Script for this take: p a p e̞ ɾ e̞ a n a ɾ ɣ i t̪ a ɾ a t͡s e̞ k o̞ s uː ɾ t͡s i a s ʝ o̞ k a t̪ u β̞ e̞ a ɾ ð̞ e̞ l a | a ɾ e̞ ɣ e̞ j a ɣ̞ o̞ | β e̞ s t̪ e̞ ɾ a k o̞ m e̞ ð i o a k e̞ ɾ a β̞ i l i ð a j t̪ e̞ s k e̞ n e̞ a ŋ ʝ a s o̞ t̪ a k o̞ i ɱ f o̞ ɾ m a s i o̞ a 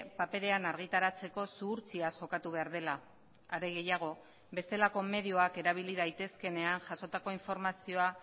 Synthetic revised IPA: p a p e̞ ɾ e̞ a n a ɾ ɣ i t̪ a ɾ a t͡s e̞ k o̞ s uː ɾ t͡s i a s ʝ o̞ k a t̪ u β̞ e̞ a ɾ ð̞ e̞ l a | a ɾ e̞ ɣ e̞ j a ɣ̞ o̞ | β e̞ s t̪ e̞ l a k o̞ m e̞ ð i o a k e̞ ɾ a β̞ i l i ð a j t̪ e̞ s k e̞ n e̞ a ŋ ʝ a s o̞ t̪ a k o̞ i ɱ f o̞ ɾ m a s i o̞ a